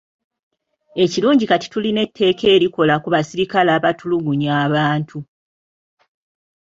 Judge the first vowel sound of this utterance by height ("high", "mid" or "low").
mid